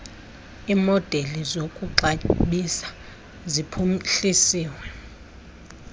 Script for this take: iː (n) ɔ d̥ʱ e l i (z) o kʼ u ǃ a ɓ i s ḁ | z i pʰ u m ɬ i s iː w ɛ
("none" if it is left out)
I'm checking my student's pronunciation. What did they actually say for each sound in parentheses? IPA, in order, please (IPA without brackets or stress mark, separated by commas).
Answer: m, z